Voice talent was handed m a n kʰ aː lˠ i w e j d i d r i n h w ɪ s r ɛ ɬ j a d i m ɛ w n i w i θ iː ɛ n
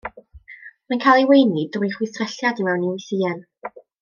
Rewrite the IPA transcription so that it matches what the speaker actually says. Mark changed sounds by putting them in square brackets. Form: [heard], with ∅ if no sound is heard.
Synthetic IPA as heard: m a n kʰ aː lˠ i w e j [n] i d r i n [χ] w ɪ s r ɛ ɬ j a d i m ɛ w n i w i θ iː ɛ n